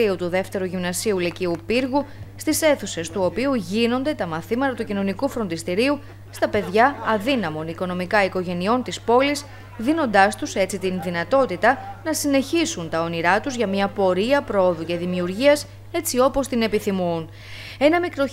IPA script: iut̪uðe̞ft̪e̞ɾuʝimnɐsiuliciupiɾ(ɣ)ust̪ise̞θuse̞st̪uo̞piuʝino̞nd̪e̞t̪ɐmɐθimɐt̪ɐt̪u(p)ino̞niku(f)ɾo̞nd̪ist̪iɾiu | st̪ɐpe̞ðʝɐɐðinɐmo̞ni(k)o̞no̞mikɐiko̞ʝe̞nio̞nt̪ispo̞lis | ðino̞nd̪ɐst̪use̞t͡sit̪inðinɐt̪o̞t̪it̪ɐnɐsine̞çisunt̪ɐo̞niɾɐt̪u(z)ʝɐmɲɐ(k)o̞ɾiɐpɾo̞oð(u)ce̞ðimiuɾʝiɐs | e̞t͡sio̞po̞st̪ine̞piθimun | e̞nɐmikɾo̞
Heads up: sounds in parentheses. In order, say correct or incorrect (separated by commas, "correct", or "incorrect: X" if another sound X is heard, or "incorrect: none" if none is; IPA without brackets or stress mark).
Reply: correct, incorrect: c, correct, correct, correct, incorrect: p, correct